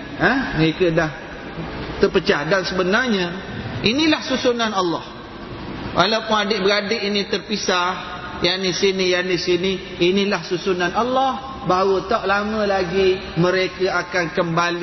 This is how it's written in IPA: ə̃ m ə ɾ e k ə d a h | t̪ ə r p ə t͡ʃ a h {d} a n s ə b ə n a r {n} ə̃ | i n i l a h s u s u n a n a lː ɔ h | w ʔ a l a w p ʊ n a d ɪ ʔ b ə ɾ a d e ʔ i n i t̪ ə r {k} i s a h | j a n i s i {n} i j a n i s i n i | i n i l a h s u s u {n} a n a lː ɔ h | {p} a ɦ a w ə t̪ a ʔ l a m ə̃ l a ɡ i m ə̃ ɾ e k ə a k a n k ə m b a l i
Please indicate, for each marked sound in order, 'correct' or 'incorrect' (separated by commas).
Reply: correct, incorrect, incorrect, correct, correct, incorrect